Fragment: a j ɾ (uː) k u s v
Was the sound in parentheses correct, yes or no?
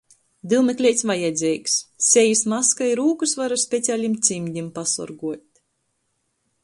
yes